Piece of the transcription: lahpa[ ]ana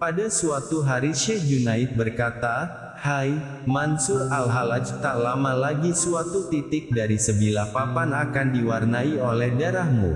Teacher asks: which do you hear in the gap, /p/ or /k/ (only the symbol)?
p